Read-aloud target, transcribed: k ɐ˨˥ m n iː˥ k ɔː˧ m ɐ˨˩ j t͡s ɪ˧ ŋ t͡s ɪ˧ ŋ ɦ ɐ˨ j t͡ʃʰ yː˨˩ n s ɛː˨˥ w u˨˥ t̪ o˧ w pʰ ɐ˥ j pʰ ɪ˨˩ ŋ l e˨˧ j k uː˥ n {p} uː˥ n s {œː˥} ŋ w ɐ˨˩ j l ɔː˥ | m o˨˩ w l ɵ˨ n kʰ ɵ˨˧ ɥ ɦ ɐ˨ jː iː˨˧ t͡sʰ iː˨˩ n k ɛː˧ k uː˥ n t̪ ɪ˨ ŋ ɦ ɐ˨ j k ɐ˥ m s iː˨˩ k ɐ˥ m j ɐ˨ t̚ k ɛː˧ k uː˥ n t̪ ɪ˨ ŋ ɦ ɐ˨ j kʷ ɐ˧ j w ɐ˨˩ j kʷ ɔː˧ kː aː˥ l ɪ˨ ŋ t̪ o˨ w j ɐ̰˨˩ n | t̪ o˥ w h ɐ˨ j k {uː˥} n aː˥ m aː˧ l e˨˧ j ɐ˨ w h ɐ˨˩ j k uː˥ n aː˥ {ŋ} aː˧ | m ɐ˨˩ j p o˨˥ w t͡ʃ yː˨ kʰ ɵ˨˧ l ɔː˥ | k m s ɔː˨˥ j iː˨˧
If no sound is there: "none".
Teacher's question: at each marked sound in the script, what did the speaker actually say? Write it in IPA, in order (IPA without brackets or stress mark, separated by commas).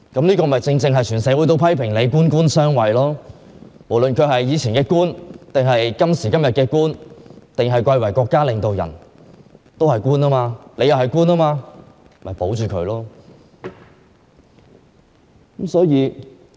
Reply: k, œː˥, uː˥, m